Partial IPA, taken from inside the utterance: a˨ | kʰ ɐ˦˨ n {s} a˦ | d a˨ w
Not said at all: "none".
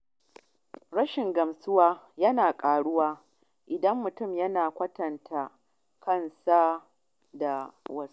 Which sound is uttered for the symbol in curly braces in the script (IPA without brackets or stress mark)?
s